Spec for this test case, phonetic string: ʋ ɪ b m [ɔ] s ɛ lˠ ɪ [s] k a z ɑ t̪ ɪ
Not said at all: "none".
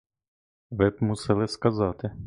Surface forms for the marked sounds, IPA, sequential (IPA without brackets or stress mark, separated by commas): u, s